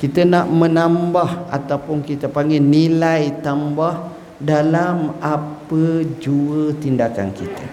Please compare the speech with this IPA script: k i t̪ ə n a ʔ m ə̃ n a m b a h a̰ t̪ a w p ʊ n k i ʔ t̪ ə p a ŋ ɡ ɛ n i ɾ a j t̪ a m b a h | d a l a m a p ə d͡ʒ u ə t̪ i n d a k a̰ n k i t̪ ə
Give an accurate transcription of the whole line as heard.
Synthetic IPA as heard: k i t̪ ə n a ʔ m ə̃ n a m b a h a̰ t̪ a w p ʊ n k i t̪ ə p a ŋ ɡ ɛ n i l a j t̪ a m b a h | d a l a m a p ə d͡ʒ u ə t̪ i n d a k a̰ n k i t̪ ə